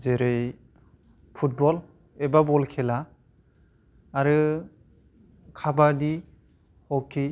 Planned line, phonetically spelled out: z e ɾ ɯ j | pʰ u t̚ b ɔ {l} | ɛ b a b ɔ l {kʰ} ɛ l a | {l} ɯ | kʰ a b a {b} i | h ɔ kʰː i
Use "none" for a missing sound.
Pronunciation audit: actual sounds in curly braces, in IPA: l, kʰ, ɾ, d

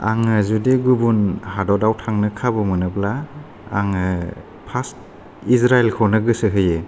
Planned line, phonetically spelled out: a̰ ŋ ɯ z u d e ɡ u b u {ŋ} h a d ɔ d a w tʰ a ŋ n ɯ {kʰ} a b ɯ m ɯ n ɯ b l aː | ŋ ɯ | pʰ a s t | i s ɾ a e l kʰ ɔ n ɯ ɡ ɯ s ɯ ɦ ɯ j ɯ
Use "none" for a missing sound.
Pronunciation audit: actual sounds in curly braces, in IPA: n, kʰ

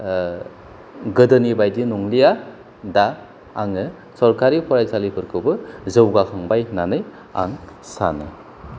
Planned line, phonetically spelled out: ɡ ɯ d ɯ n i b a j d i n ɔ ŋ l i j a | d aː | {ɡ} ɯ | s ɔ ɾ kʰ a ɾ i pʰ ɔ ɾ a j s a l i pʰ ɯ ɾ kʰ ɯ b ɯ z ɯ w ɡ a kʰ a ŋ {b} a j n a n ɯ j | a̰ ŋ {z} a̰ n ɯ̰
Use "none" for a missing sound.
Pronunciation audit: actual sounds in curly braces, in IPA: ŋ, b, s

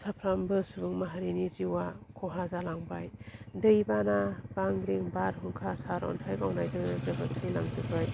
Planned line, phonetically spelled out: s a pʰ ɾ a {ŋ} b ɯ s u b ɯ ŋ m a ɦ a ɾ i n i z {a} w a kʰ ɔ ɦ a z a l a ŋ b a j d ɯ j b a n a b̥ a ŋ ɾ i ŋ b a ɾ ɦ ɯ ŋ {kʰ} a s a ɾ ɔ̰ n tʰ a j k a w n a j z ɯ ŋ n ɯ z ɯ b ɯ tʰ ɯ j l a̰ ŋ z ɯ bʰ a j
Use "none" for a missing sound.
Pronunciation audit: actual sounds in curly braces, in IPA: m, i, kʰ

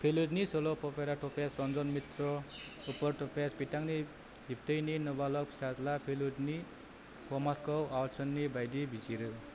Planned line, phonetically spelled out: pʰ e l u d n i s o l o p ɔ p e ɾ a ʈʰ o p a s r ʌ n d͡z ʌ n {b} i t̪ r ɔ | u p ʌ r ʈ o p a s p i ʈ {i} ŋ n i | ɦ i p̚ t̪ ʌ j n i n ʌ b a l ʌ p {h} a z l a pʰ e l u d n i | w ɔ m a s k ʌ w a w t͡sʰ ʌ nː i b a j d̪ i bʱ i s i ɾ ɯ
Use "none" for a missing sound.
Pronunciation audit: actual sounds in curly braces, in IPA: m, a, s

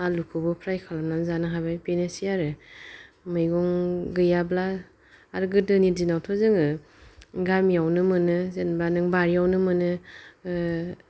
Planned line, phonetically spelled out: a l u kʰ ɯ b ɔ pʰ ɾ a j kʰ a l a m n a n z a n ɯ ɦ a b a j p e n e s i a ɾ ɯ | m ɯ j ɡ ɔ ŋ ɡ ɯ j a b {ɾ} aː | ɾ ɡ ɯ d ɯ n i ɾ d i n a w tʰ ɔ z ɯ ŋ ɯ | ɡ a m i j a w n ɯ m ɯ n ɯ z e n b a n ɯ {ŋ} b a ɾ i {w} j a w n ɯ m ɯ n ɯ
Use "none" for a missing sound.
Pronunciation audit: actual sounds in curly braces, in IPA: l, ŋ, none

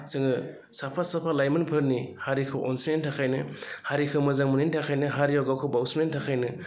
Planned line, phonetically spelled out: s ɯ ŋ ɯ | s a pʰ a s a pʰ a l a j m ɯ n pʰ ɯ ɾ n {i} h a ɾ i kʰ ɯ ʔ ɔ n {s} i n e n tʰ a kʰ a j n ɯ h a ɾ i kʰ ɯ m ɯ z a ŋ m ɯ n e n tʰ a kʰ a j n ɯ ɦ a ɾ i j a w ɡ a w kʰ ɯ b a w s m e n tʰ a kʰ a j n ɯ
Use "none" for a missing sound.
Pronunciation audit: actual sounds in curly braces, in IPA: i, s

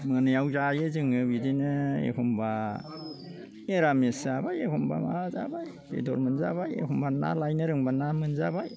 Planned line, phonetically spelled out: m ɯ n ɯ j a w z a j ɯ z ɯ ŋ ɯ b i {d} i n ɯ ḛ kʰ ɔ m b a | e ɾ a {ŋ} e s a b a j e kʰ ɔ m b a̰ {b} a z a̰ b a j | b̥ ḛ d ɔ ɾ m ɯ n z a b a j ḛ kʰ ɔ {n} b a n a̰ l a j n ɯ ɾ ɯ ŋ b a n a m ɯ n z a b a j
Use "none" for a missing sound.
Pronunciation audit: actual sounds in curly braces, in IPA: d, m, m, m

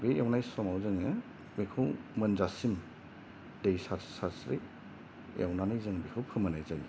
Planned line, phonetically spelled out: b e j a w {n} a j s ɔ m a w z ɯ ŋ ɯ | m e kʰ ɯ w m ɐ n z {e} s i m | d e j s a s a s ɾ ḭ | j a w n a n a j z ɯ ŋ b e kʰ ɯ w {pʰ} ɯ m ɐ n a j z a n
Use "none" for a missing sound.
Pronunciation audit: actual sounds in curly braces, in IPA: n, a, pʰ

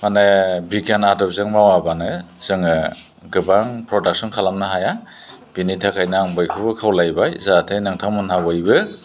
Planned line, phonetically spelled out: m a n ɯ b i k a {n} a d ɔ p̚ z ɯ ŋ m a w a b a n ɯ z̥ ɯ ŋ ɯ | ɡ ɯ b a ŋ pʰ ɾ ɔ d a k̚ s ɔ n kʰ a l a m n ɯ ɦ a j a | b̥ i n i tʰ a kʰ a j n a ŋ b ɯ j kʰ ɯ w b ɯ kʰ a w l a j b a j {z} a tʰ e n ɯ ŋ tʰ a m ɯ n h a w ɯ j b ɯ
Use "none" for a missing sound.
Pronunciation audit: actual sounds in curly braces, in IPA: n, z

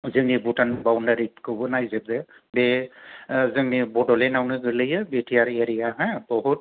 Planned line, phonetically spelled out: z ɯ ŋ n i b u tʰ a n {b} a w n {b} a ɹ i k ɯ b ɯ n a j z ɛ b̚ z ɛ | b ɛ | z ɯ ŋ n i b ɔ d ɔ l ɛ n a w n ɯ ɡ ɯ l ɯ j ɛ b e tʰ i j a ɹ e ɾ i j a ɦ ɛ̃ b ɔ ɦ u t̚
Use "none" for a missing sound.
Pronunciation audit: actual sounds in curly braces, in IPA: b, d

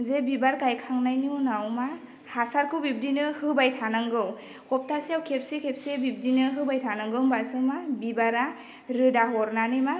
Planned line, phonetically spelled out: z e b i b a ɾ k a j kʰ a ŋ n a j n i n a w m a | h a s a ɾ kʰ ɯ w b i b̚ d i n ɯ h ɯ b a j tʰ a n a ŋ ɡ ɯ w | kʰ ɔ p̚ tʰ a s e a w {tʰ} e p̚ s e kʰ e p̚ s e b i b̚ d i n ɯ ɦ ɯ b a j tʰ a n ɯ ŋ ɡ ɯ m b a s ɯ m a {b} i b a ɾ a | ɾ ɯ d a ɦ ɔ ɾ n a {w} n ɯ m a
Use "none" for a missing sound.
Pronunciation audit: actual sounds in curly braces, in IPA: kʰ, b, none

